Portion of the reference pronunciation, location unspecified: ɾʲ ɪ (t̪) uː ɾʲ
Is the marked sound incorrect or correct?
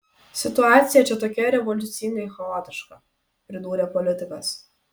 incorrect